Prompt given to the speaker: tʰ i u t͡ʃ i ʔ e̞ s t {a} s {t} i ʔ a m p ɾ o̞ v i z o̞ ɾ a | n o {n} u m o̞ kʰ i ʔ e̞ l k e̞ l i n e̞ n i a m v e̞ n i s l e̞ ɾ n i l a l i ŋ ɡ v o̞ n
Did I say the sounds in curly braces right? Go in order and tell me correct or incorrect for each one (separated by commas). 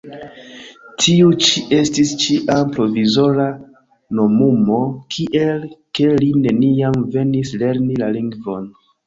incorrect, incorrect, incorrect